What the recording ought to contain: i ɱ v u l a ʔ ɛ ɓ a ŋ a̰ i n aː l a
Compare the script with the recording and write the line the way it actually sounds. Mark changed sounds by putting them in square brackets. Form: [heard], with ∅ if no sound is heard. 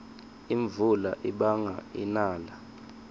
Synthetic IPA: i ɱ v u l a ʔ [i] ɓ a ŋ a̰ i n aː l a